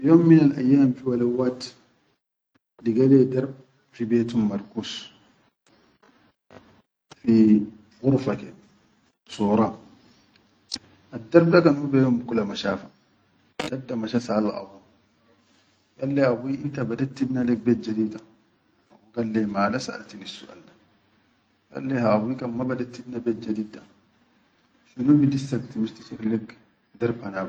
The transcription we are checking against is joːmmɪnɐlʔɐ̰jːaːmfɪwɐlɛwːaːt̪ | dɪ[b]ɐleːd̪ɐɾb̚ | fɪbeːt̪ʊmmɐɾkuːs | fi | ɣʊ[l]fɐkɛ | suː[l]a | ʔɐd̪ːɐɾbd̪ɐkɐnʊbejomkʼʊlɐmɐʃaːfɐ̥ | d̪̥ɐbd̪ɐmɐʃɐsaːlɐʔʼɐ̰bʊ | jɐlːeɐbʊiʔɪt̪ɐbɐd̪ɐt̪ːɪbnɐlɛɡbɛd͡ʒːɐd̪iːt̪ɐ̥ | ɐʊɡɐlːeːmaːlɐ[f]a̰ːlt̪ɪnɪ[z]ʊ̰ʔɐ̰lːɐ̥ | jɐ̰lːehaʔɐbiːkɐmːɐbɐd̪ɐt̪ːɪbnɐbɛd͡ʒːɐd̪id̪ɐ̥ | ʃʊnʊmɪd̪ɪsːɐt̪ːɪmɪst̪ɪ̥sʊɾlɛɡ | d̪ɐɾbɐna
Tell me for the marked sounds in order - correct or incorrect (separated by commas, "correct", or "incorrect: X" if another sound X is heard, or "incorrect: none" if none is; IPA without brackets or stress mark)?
incorrect: ɡ, incorrect: ɾ, incorrect: ɾ, incorrect: s, incorrect: s